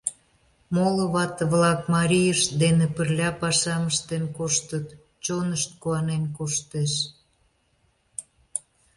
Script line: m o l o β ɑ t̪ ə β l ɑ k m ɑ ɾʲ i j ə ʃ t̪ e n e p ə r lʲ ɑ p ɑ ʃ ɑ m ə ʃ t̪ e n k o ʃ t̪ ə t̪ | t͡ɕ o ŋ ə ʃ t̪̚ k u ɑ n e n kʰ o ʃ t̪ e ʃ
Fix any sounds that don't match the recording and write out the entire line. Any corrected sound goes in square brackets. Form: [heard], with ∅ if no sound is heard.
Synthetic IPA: m o l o β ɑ t̪ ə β l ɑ k m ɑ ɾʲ i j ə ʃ [d̪] e n e p ə r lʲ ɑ p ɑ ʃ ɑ m ə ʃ t̪ e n k o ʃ t̪ ə t̪ | t͡ɕ o [n] ə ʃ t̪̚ k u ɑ n e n [k] o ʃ t̪ e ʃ